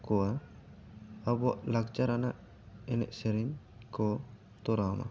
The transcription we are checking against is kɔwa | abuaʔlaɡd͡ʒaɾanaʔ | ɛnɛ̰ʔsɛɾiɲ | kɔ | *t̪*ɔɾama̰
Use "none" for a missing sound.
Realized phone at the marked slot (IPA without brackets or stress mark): t̪